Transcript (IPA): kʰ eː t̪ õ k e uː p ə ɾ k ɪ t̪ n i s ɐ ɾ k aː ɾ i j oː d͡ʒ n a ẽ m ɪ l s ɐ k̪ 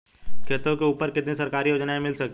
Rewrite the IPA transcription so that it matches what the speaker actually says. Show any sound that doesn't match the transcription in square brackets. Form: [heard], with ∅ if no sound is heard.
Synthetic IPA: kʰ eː t̪ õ k e uː p ə ɾ k ɪ t̪ n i s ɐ ɾ k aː ɾ i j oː d͡ʒ n a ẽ m ɪ l s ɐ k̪